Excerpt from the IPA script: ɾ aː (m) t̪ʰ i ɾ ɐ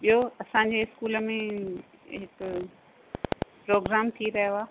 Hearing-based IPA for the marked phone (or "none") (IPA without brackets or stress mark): m